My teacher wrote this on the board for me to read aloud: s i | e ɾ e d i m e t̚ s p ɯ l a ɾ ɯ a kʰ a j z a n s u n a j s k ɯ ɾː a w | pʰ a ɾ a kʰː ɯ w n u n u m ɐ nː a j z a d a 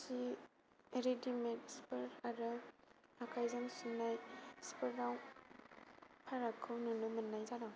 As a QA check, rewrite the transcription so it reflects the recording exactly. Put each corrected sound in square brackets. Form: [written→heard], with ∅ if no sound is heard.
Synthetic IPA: s i | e ɾ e d i m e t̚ s p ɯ [l→ɾ] a ɾ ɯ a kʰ a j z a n s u n a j s [k→p] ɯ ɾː a w | pʰ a ɾ a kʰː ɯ w n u n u m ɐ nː a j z a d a